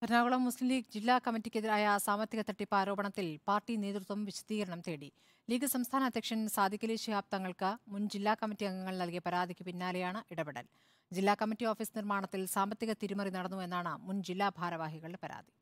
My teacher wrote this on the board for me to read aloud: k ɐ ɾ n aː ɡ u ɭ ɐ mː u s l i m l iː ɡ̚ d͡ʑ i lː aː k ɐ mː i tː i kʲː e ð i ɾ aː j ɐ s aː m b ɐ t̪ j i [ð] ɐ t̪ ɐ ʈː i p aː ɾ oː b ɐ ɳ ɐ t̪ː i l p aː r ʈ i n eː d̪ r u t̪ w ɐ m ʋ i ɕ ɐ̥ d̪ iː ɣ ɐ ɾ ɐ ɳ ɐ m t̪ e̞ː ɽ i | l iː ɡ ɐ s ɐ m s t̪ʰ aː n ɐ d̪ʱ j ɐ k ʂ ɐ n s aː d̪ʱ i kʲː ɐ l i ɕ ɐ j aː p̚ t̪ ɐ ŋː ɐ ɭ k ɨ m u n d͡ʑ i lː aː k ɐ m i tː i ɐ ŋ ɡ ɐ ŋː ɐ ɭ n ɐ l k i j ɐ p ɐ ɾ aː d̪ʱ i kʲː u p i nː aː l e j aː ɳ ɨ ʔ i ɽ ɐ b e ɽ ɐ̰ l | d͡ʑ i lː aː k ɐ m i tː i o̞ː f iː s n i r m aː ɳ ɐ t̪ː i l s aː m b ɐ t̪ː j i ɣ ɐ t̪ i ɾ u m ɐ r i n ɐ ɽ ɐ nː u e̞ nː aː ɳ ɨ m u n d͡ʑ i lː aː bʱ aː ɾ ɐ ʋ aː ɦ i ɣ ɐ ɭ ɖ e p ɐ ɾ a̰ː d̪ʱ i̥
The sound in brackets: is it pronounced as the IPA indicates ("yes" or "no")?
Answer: no